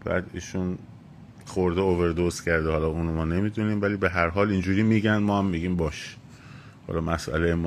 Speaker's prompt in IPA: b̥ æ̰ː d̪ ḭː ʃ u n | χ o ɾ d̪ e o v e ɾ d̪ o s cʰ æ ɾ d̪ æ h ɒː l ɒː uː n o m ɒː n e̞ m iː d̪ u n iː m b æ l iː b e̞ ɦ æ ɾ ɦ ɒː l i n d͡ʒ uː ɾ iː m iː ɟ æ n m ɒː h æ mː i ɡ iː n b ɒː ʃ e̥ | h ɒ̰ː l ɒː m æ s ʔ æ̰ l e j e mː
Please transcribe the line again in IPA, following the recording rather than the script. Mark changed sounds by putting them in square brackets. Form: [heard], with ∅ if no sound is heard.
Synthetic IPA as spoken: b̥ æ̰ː d̪ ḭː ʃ u n | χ o ɾ d̪ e o v e ɾ d̪ o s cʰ æ ɾ d̪ [e] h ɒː l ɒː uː n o m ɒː n e̞ m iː d̪ u n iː m [v] æ l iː b e̞ ɦ æ ɾ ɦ ɒː l i n d͡ʒ uː ɾ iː m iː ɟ æ n m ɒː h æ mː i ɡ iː [m] b ɒː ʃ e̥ | h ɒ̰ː l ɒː m æ s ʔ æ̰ l e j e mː